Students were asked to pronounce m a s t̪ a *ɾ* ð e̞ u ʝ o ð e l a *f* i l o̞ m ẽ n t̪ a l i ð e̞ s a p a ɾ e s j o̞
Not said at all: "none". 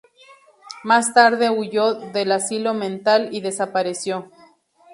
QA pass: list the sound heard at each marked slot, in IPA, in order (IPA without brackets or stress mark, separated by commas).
ɾ, s